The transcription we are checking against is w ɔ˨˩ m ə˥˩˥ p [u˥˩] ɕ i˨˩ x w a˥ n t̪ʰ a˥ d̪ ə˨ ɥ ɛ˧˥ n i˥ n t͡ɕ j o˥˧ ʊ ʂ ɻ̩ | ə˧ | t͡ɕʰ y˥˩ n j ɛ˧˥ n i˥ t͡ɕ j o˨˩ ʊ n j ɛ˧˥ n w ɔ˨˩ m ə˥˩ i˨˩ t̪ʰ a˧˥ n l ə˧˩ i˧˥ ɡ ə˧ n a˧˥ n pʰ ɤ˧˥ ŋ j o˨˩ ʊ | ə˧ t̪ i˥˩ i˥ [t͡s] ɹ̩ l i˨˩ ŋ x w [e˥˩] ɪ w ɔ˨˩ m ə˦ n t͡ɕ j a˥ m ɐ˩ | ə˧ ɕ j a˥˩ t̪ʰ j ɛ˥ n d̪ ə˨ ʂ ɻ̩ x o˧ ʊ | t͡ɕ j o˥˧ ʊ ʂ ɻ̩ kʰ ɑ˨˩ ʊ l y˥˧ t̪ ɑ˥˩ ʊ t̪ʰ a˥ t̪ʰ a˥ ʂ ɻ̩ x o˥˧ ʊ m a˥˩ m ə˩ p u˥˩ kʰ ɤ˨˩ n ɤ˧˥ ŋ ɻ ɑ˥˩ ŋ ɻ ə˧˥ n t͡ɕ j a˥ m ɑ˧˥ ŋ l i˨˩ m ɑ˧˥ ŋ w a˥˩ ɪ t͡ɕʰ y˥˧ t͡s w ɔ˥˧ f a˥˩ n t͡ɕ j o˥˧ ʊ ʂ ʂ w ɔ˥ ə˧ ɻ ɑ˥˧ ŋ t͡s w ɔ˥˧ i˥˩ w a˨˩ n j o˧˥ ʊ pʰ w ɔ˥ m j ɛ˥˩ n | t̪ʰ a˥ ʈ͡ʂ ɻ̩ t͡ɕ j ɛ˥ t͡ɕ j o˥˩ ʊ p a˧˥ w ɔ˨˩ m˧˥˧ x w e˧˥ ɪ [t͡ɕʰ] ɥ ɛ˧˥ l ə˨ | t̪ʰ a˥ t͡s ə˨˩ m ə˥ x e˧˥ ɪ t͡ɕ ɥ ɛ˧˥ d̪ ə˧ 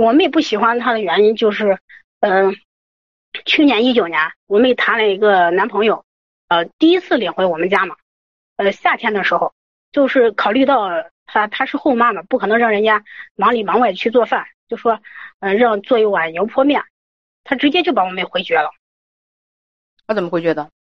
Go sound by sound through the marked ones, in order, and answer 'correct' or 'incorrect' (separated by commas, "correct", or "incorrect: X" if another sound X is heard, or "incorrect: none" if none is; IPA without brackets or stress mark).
correct, incorrect: t͡sʰ, incorrect: e˧˥, incorrect: t͡ɕ